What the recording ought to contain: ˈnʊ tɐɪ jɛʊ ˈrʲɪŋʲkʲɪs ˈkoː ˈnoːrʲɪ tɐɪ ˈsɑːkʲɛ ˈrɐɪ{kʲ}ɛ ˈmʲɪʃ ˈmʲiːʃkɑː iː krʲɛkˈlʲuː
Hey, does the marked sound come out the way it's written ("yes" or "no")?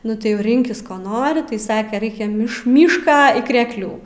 yes